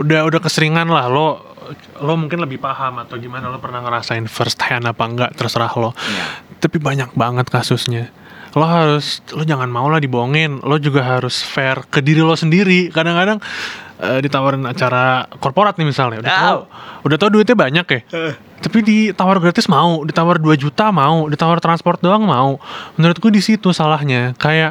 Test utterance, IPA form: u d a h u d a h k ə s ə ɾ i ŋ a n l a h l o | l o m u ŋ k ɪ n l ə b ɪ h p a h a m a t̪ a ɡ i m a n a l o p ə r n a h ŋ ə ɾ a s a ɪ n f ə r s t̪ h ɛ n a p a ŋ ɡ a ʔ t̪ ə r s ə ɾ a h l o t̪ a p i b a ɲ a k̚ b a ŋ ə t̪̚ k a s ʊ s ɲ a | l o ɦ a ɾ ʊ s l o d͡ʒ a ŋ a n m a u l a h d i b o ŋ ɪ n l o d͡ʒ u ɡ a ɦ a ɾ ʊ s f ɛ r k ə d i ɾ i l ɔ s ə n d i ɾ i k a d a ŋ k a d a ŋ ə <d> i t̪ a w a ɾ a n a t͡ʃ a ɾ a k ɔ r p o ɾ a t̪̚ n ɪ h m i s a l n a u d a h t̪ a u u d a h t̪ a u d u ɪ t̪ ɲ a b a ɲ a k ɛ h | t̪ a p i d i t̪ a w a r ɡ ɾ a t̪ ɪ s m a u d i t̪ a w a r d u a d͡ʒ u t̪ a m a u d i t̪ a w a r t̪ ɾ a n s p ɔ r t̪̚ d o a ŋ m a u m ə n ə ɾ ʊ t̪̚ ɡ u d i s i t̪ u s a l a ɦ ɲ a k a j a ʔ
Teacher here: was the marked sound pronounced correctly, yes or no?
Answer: yes